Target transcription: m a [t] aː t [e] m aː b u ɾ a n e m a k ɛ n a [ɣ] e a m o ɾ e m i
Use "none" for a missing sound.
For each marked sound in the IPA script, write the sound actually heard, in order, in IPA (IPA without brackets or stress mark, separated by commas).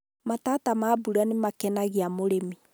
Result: t, a, ɣ